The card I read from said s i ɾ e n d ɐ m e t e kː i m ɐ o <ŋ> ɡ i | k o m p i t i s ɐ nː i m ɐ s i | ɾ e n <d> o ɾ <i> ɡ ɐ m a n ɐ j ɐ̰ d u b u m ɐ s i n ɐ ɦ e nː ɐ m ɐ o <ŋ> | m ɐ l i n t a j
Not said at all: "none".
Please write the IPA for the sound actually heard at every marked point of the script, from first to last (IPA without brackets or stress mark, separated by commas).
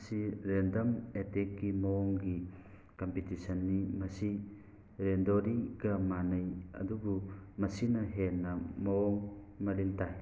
ŋ, d, i, ŋ